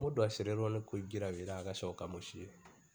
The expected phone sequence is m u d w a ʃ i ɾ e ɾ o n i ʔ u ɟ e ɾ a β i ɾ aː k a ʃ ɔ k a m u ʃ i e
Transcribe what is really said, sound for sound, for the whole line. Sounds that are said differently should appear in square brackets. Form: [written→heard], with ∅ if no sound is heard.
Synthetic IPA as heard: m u d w a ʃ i ɾ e ɾ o n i [ʔ→k] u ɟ [e→i] ɾ a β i ɾ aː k a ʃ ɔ k a m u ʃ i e